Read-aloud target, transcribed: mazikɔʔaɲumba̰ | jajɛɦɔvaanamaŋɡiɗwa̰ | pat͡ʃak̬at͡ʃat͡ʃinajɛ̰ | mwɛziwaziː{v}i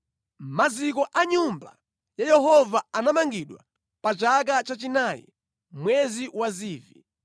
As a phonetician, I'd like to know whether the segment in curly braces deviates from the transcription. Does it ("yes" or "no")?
no